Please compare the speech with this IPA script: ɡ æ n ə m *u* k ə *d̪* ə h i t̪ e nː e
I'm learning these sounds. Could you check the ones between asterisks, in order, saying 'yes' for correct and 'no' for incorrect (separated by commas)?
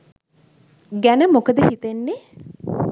no, yes